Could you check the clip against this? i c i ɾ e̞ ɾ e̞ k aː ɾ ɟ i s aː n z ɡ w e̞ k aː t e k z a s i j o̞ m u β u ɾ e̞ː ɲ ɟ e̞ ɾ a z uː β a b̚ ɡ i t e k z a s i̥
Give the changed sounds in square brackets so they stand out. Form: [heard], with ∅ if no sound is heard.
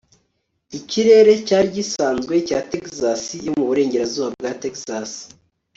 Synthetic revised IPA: i c i ɾ e̞ ɾ e̞ [c] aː ɾ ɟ i s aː n z ɡ w e̞ [c] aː t e k z a s i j o̞ m u β u ɾ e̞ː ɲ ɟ e̞ ɾ a z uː β a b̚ ɡ [a] t e k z a s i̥